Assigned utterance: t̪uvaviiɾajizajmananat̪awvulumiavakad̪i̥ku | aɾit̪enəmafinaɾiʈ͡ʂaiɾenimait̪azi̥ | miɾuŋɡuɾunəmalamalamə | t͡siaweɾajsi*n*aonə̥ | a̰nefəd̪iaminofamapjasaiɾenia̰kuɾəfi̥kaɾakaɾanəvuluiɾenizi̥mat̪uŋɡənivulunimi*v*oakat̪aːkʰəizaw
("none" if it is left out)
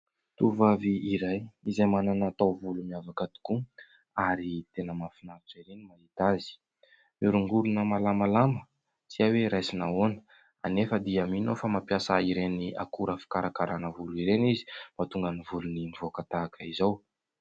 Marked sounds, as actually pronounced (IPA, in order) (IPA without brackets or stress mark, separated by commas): n, v